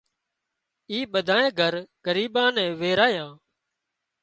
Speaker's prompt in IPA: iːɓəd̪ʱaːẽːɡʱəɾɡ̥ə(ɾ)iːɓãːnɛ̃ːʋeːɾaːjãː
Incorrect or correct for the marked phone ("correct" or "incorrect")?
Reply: correct